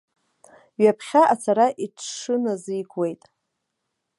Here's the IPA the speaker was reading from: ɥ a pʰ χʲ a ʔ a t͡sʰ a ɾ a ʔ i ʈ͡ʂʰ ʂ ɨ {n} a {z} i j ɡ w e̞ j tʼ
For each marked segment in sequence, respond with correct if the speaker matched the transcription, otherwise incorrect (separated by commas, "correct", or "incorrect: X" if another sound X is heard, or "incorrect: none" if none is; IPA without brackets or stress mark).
correct, correct